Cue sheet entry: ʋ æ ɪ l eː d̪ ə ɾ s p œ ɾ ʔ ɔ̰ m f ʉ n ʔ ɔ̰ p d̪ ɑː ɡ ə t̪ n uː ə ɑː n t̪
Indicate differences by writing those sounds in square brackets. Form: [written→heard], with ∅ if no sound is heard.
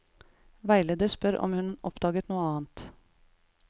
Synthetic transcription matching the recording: ʋ æ ɪ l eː d̪ ə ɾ s p œ ɾ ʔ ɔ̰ m [f→h] ʉ n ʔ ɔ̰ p d̪ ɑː ɡ ə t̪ n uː ə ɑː n t̪

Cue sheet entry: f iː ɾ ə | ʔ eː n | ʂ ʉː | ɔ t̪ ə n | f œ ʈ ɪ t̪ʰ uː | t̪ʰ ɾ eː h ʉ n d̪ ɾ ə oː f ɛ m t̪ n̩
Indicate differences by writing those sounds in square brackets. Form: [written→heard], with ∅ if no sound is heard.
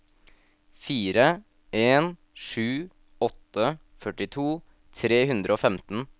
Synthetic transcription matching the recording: f iː ɾ ə | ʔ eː n | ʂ ʉː | ɔ t̪ ə [n→∅] | f œ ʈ ɪ t̪ʰ uː | t̪ʰ ɾ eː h ʉ n d̪ ɾ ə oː f ɛ m t̪ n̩

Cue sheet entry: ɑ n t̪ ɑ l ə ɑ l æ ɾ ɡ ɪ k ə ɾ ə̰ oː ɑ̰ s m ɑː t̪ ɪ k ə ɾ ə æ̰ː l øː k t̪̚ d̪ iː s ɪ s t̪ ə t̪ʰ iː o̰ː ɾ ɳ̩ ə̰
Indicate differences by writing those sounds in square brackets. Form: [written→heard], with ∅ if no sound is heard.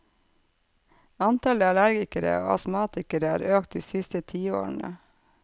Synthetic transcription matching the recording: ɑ n t̪ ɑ l ə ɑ l æ ɾ ɡ ɪ k ə ɾ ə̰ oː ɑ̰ s m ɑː t̪ ɪ k ə ɾ ə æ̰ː [l→ɾ] øː k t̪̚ d̪ iː s ɪ s t̪ ə t̪ʰ iː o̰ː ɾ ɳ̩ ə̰

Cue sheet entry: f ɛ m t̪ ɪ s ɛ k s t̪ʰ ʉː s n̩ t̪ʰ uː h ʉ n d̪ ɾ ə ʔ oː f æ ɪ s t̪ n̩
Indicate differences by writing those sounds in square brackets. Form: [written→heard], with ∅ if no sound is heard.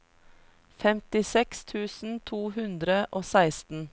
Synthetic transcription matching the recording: f ɛ m t̪ ɪ s ɛ k s t̪ʰ ʉː s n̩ t̪ʰ uː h ʉ n d̪ ɾ ə ʔ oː [f→s] æ ɪ s t̪ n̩

